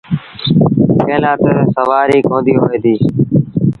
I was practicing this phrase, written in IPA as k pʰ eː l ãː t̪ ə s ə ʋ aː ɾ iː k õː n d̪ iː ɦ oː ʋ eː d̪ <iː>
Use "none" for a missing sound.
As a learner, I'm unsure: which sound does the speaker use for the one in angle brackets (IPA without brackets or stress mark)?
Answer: iː